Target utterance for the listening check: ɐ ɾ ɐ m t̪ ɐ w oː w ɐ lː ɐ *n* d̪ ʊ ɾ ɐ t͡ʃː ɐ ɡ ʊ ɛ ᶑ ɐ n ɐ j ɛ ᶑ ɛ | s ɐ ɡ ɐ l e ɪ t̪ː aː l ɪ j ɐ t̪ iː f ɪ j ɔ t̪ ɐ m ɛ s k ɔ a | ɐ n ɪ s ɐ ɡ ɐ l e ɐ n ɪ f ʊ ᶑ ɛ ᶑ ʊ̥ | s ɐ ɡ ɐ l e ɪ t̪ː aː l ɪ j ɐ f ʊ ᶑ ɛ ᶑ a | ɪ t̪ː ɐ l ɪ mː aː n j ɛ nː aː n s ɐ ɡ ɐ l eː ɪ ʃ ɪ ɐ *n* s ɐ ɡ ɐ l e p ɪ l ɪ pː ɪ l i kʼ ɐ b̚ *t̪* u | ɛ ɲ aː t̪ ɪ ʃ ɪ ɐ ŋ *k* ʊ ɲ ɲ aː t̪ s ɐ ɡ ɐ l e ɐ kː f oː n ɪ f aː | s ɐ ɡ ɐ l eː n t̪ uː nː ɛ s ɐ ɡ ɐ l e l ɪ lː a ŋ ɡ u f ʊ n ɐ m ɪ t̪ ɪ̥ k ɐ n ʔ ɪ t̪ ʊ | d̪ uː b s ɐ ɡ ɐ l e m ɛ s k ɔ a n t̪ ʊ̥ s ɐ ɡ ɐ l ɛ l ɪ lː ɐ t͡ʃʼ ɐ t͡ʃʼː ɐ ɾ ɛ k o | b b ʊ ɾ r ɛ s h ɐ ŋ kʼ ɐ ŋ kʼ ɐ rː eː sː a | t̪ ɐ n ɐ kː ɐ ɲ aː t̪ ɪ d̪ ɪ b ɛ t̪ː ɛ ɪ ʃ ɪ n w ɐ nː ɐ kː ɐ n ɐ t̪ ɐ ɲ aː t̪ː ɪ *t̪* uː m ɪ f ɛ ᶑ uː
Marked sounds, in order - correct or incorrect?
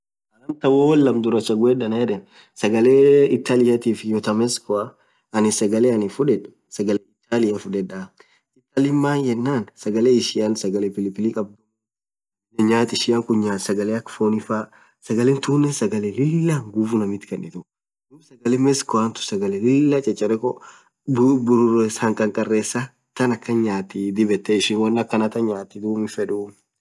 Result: incorrect: m, correct, incorrect: d̪, correct, incorrect: d̪

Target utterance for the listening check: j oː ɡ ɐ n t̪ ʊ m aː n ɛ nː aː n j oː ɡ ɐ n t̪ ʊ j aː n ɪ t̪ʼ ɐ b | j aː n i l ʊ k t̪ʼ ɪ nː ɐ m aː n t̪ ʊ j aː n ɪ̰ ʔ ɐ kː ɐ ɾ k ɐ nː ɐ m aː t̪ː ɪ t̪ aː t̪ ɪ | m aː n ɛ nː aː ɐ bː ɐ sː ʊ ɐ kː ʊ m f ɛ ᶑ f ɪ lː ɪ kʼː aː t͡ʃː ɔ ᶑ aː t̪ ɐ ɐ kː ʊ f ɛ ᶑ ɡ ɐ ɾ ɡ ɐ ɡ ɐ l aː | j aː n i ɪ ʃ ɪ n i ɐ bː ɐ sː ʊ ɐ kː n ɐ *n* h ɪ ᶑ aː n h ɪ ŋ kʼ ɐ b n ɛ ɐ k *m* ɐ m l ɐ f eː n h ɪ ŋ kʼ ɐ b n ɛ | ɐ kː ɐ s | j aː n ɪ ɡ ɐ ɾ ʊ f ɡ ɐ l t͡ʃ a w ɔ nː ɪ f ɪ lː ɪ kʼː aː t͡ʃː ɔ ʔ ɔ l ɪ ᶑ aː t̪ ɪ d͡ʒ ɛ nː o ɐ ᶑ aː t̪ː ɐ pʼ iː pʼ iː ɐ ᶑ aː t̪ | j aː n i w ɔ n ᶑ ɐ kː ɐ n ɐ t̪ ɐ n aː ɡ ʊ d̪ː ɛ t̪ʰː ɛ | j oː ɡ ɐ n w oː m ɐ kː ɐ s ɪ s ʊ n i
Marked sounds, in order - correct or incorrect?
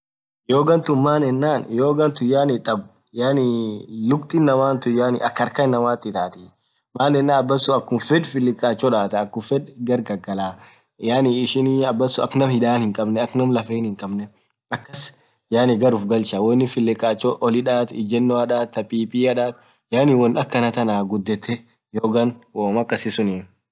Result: incorrect: m, incorrect: n

